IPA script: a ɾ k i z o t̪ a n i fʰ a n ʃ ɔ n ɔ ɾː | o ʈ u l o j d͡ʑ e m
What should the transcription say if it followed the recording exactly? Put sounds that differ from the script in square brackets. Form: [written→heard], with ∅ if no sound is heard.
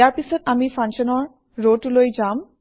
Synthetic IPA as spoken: a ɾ [k→p] i [z→s] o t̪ a [n→m] i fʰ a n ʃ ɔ n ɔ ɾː | o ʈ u l o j d͡ʑ [e→a] m